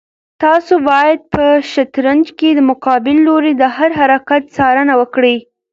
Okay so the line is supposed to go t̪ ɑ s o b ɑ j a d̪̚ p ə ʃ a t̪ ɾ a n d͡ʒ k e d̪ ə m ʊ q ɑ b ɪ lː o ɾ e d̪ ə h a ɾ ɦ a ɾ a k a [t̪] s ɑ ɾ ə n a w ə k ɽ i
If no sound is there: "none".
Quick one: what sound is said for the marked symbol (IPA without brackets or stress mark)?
t̪